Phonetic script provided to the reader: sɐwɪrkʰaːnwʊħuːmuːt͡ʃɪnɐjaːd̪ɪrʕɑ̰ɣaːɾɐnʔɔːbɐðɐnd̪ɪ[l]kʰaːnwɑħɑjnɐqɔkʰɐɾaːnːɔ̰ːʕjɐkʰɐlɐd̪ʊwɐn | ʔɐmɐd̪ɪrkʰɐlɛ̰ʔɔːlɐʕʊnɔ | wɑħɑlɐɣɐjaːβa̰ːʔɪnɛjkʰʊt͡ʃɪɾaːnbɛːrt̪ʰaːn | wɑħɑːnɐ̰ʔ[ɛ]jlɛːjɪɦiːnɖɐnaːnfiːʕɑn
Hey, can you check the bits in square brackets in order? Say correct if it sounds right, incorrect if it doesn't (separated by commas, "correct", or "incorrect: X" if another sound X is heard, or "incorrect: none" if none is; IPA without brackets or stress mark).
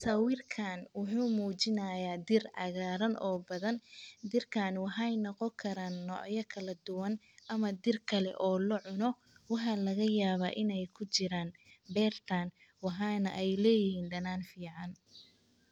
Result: incorrect: r, correct